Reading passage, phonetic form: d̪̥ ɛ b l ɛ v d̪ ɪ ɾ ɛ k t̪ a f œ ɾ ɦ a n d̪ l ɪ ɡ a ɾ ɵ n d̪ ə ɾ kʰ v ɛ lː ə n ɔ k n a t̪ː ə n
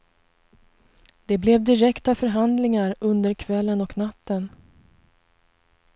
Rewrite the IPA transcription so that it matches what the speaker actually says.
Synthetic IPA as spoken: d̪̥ ɛ b l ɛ v d̪ ɪ ɾ ɛ k t̪ a f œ ɾ ɦ a n d̪ l ɪ ŋ a ɾ ɵ n d̪ ə ɾ kʰ v ɛ lː ə n ɔ k n a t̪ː ə n